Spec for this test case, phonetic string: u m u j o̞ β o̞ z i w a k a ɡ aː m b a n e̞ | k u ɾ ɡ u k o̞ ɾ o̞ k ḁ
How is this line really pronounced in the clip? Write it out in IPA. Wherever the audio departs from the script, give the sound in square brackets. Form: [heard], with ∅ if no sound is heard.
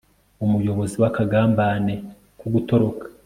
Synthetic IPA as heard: u m u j o̞ β o̞ z i w a k a ɡ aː m b a n e̞ | k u [∅] ɡ u [t] o̞ ɾ o̞ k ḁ